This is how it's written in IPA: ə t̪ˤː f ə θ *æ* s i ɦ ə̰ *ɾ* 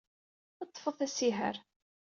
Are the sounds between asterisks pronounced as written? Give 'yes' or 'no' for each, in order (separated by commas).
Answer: yes, yes